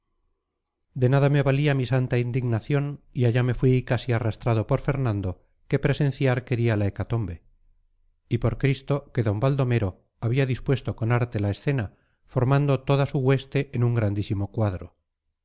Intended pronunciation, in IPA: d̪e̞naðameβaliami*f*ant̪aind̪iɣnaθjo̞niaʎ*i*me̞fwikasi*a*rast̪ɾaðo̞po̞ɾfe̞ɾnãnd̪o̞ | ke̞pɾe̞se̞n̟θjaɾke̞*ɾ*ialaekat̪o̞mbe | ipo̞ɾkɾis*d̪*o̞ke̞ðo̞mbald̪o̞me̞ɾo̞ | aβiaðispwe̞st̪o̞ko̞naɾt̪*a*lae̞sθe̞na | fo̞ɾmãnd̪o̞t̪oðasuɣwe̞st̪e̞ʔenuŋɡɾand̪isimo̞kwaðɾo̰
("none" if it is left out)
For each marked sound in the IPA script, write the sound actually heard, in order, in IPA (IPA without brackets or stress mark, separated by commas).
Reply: s, a, a, ɾ, t̪, e